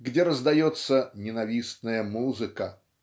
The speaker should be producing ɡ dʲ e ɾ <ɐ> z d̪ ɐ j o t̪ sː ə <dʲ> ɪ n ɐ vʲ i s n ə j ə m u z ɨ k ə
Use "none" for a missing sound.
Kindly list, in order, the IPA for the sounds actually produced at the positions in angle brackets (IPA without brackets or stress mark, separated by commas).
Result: ə, nʲ